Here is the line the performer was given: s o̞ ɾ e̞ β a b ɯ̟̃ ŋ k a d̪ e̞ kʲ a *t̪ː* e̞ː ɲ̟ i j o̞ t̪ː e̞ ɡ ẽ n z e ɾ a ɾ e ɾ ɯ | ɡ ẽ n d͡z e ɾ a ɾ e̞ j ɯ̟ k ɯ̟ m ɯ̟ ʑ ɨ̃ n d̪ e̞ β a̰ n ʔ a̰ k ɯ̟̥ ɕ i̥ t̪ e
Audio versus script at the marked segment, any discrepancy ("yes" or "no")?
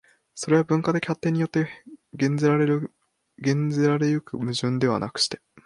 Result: no